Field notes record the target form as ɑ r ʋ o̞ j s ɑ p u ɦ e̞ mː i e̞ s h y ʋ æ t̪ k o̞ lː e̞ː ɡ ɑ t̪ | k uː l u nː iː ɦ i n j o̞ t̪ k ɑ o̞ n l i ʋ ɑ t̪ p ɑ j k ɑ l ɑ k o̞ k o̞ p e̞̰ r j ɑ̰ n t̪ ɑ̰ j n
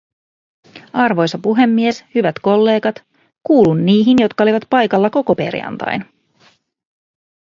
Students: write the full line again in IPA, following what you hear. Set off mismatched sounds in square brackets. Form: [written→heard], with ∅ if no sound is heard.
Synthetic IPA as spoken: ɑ r ʋ o̞ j s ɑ p u ɦ e̞ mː i e̞ s h y ʋ æ t̪ k o̞ lː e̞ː ɡ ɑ t̪ | k uː l u nː iː ɦ i n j o̞ t̪ k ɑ o̞ [n→∅] l i ʋ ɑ t̪ p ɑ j k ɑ [l→lː] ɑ k o̞ k o̞ p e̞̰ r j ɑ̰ n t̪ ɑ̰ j n